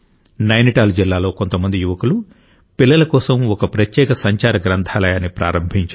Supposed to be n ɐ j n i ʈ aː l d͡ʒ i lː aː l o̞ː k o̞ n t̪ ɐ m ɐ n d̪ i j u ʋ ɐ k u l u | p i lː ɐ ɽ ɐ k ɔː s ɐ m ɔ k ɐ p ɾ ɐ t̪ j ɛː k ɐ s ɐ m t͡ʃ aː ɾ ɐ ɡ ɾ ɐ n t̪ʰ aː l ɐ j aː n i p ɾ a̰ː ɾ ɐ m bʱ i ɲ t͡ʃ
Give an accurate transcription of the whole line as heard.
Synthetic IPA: n ɐ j n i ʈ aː l d͡ʒ i lː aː l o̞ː k o̞ n t̪ ɐ m ɐ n d̪ i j u ʋ ɐ k u l u | p i lː ɐ l ɐ k ɔː s ɐ m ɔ k ɐ p ɾ ɐ t̪ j ɛː k ɐ s ɐ ɲ t͡ʃ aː ɾ ɐ ɡ ɾ ɐ n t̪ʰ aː l ɐ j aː n i p ɾ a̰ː ɾ ɐ m bʱ i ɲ t͡ʃ